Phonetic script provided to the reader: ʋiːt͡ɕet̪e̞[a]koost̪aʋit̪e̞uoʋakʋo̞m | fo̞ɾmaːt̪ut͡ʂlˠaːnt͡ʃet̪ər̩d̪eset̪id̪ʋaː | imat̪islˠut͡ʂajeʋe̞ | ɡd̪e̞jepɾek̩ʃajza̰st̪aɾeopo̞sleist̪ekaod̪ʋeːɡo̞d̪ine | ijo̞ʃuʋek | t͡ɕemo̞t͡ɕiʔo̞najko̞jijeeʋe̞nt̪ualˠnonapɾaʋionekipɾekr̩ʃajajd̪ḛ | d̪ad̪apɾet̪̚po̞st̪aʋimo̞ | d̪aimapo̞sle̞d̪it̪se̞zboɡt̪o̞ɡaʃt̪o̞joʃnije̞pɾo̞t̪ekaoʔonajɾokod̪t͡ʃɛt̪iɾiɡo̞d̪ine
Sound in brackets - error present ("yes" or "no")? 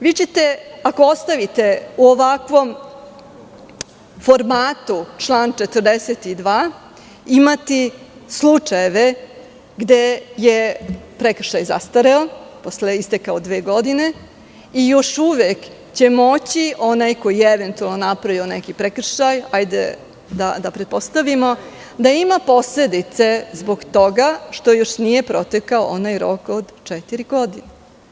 no